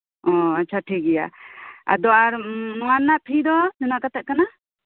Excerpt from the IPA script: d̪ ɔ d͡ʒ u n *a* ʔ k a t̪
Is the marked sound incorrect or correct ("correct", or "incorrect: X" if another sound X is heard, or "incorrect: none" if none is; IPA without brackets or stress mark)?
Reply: correct